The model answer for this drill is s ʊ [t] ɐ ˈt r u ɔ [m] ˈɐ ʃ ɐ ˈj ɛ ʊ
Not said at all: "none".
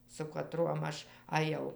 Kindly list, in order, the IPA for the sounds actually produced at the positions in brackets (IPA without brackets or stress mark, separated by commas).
k, m